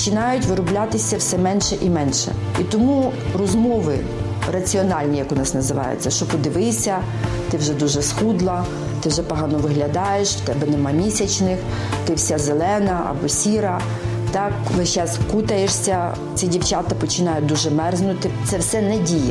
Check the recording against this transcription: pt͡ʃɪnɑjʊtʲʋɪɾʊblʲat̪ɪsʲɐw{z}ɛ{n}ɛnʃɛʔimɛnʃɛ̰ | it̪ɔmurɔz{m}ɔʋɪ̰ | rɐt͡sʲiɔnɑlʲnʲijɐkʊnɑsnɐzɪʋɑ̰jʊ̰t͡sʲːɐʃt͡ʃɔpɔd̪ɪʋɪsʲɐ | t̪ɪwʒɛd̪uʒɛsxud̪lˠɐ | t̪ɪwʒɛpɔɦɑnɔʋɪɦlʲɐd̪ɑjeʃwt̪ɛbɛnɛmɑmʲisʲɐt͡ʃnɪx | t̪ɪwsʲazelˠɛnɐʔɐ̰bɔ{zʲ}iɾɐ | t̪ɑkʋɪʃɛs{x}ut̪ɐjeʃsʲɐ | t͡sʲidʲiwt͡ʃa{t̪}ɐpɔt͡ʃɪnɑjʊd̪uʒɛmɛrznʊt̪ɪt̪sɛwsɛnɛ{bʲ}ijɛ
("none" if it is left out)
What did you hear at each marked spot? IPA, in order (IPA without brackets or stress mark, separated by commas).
s, m, m, sʲ, k, t̪, dʲ